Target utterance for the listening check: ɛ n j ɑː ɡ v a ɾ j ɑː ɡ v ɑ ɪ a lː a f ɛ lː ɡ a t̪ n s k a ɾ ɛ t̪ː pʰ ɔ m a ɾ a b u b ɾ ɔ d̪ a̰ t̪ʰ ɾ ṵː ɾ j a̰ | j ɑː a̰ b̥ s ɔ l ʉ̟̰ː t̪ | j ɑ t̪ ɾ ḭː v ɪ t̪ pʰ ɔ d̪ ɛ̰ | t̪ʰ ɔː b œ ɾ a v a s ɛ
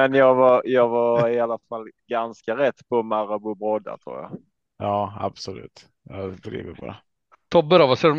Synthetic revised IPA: ɛ n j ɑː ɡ v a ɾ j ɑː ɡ v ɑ ɪ a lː a f a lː ɡ a n s k a ɾ ɛ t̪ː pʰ ɔ m a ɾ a b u b ɾ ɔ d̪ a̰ t̪ʰ ɾ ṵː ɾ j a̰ | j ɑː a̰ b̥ s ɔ l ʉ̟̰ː t̪ | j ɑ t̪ ɾ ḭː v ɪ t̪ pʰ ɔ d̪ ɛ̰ | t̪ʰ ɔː b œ ɾ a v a s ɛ